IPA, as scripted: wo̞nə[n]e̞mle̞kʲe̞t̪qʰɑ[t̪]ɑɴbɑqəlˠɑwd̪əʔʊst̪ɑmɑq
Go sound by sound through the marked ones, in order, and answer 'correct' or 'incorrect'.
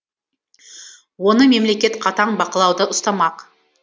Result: incorrect, correct

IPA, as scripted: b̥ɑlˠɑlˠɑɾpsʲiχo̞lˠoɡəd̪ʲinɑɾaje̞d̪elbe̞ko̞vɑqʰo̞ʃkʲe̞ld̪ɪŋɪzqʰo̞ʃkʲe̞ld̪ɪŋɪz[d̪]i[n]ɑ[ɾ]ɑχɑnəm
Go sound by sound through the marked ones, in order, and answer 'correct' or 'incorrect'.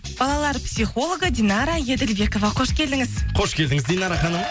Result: correct, correct, correct

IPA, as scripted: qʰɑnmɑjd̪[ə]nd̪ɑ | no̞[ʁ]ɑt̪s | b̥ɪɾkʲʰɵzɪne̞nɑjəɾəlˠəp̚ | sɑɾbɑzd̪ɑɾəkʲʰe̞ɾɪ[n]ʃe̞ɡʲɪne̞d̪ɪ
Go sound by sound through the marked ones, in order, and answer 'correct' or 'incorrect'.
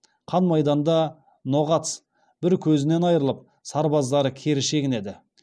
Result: incorrect, correct, incorrect

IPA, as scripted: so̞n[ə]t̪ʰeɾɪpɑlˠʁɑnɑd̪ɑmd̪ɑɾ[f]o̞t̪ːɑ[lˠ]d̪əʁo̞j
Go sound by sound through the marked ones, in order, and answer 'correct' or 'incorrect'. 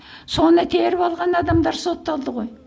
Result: correct, incorrect, correct

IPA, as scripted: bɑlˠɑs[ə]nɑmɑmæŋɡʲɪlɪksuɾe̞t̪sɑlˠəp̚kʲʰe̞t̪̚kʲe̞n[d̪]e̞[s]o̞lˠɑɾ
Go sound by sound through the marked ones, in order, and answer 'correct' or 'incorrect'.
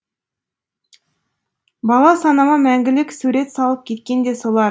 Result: incorrect, correct, correct

